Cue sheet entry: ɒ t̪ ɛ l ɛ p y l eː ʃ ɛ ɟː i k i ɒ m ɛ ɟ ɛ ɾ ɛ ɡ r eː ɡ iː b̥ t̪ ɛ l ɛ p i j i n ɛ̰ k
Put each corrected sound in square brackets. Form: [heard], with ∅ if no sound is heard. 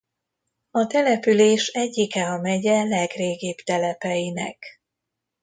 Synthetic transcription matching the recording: ɒ t̪ ɛ l ɛ p y l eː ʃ ɛ ɟː i k [ɛ] ɒ m ɛ ɟ ɛ [l] ɛ ɡ r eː ɡ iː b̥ t̪ ɛ l ɛ p [ɛ] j i n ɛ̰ k